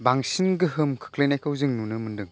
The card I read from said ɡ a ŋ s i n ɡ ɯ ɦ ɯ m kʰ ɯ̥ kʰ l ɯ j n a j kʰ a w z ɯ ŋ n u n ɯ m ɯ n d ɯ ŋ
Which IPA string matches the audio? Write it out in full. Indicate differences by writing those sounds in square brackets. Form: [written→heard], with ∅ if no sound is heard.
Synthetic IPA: [ɡ→b] a ŋ s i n ɡ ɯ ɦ ɯ m kʰ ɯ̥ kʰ l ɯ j n a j kʰ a w z ɯ ŋ n u n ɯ m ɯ n d ɯ ŋ